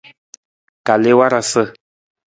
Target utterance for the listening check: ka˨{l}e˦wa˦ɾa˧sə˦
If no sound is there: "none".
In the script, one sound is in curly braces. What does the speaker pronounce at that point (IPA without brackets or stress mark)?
l